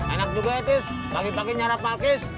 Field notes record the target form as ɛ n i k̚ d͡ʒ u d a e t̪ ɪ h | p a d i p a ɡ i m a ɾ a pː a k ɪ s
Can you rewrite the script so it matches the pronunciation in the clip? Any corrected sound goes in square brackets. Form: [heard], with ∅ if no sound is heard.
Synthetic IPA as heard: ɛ n [a] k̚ d͡ʒ u [ɡ] a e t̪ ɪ [s] | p a [ɡ] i p a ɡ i [ɲ] a ɾ a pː a k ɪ s